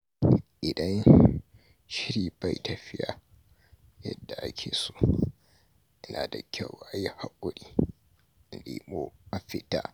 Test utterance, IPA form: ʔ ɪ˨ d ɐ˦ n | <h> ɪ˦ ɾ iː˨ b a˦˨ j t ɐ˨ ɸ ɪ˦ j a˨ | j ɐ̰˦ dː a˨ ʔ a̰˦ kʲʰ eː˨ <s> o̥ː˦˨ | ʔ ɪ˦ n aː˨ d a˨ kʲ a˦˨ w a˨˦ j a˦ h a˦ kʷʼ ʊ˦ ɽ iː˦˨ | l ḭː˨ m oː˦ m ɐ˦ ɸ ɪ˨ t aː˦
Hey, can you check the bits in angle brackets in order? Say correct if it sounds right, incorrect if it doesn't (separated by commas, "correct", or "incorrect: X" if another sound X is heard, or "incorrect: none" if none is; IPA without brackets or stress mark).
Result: incorrect: ʃ, correct